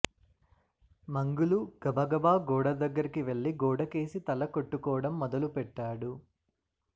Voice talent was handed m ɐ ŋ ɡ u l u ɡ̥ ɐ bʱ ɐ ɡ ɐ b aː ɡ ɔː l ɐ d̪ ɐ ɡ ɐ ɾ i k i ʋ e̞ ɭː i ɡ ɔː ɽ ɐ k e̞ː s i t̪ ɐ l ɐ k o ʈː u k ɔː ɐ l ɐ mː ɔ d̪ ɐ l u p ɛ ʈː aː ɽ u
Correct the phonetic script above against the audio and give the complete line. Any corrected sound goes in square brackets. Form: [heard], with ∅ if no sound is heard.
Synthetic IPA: m ɐ ŋ ɡ u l u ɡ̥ ɐ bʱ ɐ ɡ ɐ b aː ɡ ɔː [ɽ] ɐ d̪ ɐ [ɡː] ɐ ɾ i k i ʋ e̞ ɭː i ɡ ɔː ɽ ɐ k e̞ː s i t̪ ɐ l ɐ k o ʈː u k ɔː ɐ [ɽ] ɐ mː ɔ d̪ ɐ l u p ɛ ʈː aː ɽ u